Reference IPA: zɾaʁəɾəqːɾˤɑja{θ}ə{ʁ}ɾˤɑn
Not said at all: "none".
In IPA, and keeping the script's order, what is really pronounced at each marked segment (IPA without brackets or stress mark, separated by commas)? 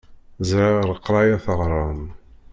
θ, ʁ